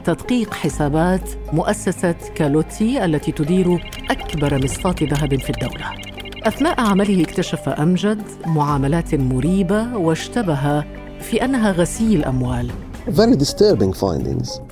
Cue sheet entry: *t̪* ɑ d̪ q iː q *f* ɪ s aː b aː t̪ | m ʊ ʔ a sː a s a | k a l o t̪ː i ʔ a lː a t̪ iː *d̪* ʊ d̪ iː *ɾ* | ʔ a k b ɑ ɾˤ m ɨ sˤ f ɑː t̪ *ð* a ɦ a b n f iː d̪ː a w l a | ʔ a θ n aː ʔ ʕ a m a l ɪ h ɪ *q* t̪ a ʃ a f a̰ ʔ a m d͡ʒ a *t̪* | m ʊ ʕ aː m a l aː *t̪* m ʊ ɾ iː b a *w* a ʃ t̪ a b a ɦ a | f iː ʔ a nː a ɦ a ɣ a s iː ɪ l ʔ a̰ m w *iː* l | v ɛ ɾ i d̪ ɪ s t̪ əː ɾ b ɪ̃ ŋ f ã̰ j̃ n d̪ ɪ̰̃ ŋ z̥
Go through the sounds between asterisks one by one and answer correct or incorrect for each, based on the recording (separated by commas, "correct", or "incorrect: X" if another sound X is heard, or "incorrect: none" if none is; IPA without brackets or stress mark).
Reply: correct, incorrect: ħ, incorrect: t̪, correct, correct, incorrect: k, incorrect: d̪, correct, correct, incorrect: aː